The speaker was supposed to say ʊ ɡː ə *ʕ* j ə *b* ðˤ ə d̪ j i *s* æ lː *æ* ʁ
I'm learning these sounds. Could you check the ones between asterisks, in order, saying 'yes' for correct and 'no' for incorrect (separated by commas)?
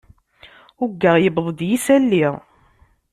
no, yes, yes, no